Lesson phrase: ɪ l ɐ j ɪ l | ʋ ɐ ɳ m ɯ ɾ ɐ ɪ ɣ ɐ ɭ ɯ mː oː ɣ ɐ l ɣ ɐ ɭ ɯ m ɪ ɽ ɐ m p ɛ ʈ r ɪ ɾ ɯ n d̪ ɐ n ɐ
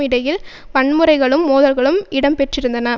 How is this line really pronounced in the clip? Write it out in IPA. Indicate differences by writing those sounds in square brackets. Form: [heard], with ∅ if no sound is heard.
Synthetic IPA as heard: ɪ [ɽ] ɐ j ɪ l | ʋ ɐ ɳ m ɯ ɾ ɐ ɪ ɣ ɐ ɭ ɯ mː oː [ð] ɐ l ɣ ɐ ɭ ɯ m ɪ ɽ ɐ m p ɛ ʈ r ɪ ɾ ɯ n d̪ ɐ n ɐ